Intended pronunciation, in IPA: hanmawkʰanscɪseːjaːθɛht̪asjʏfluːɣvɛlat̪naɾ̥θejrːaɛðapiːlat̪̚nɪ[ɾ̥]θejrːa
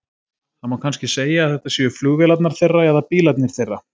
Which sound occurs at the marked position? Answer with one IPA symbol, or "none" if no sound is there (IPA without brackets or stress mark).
ɾ̥